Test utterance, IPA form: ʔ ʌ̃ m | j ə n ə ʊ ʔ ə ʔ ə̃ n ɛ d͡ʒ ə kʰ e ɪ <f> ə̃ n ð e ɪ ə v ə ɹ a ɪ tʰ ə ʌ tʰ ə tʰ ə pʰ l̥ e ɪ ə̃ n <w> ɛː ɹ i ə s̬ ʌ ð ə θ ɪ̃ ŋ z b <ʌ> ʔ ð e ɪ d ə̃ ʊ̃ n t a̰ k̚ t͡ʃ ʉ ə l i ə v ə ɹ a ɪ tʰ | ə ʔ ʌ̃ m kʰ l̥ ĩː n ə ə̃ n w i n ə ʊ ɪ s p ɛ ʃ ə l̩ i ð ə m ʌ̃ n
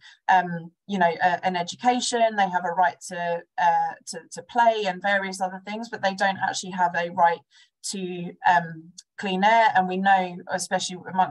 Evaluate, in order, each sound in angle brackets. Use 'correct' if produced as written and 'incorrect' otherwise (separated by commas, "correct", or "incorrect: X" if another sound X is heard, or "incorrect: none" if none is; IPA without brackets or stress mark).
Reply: incorrect: ʃ, incorrect: v, correct